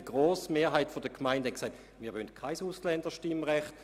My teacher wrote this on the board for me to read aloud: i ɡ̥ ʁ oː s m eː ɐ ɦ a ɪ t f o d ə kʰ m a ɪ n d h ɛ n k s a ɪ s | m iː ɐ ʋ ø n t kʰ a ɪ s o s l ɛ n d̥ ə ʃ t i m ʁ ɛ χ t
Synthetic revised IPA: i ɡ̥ ʁ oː s m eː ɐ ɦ a ɪ t f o d ə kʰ m a ɪ n d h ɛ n k s a ɪ t | m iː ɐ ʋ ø n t kʰ a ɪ s u s l ɛ n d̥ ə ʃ t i m ʁ ɛ χ t